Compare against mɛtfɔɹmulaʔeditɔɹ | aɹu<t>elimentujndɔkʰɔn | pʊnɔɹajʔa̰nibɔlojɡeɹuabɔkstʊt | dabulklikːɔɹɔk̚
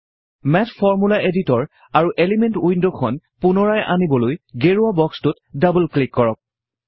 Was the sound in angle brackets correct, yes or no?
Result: no